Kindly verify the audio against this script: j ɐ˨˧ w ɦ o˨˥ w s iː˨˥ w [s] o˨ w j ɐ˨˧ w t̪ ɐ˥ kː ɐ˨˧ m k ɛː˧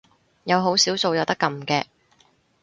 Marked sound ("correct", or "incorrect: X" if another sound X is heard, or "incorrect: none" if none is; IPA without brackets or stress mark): correct